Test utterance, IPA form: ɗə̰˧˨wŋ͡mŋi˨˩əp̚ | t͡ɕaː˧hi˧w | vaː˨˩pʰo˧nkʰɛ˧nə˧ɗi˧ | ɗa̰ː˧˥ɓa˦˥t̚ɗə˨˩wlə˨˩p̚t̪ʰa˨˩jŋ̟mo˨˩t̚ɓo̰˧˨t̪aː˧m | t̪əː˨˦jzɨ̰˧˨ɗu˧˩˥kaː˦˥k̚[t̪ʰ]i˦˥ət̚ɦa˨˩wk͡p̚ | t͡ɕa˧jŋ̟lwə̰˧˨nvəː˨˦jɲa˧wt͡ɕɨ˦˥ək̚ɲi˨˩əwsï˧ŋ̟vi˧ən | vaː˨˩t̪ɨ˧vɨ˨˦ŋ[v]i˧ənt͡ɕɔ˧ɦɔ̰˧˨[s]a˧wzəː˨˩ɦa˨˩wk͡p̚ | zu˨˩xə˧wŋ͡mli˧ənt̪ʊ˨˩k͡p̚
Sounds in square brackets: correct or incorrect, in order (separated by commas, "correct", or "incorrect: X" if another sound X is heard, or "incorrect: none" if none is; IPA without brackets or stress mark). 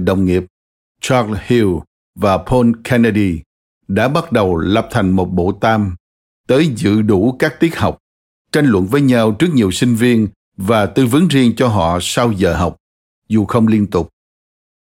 incorrect: t̪, incorrect: z, correct